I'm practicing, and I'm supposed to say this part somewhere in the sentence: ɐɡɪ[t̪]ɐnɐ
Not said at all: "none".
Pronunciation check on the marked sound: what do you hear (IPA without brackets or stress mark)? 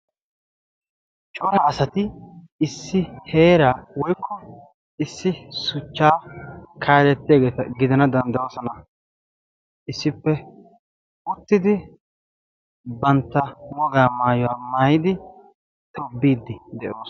d̪